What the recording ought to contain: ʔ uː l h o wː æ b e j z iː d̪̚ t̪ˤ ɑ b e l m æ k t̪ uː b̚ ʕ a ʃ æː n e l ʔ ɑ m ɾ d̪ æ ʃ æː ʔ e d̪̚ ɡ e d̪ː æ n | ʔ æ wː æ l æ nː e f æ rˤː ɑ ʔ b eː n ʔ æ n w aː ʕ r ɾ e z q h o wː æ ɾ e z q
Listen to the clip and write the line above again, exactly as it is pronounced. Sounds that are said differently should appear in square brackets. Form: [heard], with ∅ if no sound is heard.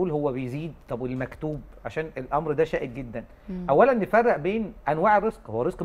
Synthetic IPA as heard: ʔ uː l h o wː æ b e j z iː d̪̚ t̪ˤ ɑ b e l m æ k t̪ uː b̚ ʕ a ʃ æː n e l ʔ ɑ m ɾ d̪ æ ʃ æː ʔ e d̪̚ ɡ e d̪ː æ n | ʔ æ wː æ l æ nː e f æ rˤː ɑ ʔ b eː n ʔ æ n w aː ʕ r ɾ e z q h o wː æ ɾ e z q